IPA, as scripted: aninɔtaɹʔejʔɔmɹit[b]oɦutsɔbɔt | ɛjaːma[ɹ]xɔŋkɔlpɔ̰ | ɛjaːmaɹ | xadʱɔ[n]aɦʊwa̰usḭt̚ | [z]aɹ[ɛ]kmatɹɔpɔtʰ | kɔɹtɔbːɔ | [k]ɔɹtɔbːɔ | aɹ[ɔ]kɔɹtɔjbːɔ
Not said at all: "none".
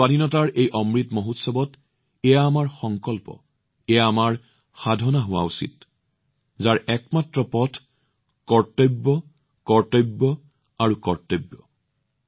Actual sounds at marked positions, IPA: m, ɹ, n, z, ɛ, k, u

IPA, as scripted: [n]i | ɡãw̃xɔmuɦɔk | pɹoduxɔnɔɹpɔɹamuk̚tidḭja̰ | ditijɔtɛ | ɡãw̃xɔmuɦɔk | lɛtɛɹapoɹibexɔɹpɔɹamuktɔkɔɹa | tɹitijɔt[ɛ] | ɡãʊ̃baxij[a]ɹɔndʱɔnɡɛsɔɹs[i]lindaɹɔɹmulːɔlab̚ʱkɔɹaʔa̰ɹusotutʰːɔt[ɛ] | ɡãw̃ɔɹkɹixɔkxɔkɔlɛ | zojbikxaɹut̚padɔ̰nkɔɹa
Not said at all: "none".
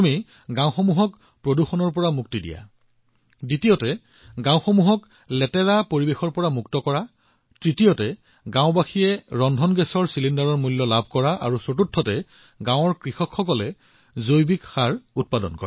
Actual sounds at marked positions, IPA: m, ɛ, ɛ, i, ɛ

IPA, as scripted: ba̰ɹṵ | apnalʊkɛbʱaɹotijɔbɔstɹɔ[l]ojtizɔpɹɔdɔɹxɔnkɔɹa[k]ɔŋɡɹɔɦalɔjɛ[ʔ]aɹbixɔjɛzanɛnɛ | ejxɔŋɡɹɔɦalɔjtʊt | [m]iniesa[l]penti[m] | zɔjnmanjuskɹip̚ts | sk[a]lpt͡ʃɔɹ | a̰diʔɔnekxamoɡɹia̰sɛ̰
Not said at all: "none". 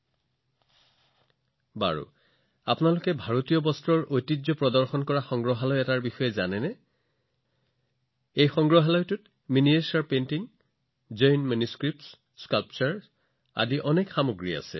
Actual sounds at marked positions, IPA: ɹ, x, t, m, ɹ, ŋ, a

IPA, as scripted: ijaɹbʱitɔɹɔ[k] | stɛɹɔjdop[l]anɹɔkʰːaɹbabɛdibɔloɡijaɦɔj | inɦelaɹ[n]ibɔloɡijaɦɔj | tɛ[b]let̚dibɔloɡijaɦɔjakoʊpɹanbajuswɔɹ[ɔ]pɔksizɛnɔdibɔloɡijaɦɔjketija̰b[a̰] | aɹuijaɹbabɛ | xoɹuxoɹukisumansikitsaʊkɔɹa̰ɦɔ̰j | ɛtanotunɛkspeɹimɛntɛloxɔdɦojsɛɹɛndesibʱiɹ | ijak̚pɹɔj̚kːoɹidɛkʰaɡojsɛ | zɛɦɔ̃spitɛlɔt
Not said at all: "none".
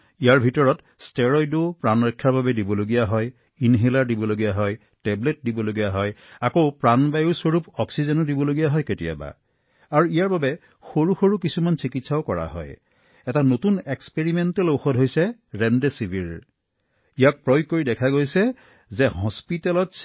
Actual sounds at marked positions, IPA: t, ɹ, d, b, u, a̰

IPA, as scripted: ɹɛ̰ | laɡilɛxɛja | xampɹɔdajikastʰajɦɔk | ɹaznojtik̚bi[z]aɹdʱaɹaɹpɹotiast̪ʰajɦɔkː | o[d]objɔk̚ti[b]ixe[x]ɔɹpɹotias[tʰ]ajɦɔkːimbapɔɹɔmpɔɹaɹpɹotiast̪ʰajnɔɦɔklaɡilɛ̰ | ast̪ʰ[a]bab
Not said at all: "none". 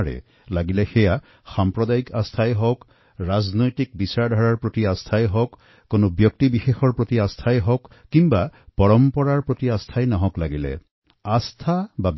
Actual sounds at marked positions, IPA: s, n, b, x, tʰ, a

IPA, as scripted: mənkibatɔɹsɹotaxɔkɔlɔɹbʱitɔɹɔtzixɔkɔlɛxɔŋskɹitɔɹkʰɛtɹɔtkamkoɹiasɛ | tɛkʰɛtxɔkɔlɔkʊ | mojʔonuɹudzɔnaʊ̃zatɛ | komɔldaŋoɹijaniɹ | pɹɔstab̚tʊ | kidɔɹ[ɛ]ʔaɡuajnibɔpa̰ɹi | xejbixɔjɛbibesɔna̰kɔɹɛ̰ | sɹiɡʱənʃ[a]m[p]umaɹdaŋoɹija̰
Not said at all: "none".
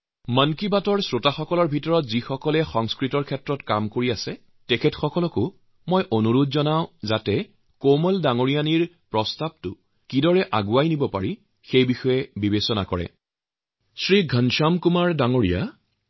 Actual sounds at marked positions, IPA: ɛ, a, k

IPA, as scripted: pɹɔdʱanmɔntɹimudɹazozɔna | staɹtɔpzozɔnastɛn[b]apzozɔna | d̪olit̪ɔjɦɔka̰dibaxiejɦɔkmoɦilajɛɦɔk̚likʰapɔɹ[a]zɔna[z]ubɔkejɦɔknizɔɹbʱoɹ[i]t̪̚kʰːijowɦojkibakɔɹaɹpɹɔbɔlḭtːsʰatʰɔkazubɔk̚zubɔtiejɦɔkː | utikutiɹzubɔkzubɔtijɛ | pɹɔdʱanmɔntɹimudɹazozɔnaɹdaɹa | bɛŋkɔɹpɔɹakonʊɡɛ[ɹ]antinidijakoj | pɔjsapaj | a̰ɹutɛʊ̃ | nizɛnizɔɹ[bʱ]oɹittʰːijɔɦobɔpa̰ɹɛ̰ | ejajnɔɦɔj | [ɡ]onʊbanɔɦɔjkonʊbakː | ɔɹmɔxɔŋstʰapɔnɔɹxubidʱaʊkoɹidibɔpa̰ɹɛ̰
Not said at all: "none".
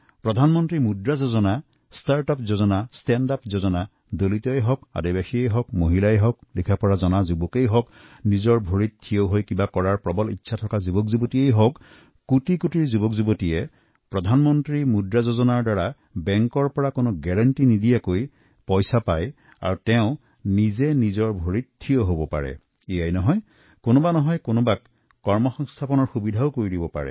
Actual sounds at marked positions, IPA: d, a, z, i, ɹ, bʱ, k

